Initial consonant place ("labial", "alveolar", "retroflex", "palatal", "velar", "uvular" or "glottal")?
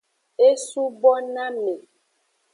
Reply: alveolar